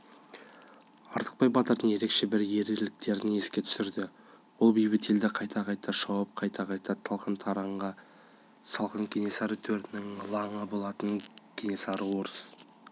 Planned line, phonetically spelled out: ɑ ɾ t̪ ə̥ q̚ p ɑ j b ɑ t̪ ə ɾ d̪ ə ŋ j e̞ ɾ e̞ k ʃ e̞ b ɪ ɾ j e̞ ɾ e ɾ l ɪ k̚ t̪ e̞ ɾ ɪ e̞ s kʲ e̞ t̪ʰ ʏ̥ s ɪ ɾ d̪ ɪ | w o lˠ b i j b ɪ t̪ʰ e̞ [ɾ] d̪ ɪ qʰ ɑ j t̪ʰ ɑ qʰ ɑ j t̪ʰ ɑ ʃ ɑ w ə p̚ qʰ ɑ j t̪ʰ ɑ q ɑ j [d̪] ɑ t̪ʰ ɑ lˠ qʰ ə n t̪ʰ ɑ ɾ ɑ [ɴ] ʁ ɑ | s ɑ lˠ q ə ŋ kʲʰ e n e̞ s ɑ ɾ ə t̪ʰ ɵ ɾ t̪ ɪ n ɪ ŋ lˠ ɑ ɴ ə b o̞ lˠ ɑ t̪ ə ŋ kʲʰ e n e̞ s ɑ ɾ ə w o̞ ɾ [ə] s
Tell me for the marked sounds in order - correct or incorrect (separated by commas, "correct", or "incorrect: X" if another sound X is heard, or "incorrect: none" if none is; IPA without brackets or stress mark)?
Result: incorrect: l, incorrect: t̪, correct, correct